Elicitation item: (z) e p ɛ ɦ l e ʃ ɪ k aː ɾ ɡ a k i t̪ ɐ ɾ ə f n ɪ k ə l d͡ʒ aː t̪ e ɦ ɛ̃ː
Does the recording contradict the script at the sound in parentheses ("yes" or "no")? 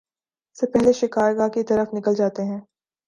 yes